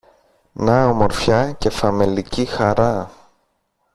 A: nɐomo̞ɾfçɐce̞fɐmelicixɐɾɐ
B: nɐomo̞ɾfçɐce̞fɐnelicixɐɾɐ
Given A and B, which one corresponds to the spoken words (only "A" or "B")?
A